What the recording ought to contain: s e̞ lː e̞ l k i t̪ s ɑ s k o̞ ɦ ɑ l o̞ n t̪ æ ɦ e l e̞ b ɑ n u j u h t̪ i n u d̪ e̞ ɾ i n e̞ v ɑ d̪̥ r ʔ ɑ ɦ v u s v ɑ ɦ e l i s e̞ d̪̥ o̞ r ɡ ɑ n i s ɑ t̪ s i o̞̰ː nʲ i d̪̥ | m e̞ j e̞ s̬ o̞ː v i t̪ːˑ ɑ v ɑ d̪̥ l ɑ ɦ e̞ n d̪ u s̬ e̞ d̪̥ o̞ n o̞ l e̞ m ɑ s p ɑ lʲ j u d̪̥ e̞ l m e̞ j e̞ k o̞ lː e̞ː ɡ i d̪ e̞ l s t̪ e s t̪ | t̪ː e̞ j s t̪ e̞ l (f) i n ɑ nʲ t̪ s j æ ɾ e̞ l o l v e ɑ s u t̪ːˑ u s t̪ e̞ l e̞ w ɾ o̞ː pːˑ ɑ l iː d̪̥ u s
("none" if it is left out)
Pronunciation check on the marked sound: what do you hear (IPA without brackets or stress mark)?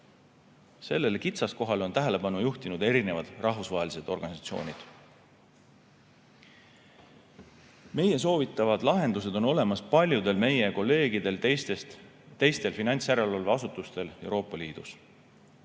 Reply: f